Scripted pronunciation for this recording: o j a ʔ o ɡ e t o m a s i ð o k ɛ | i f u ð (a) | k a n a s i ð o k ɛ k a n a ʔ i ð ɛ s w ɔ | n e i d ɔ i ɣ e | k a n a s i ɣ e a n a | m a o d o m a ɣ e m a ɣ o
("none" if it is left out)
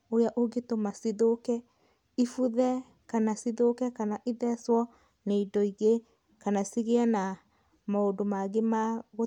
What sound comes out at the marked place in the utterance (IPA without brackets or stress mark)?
ɛ